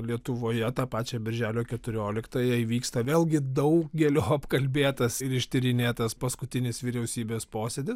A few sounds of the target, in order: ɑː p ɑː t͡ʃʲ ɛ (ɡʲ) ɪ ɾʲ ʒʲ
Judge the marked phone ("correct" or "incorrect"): incorrect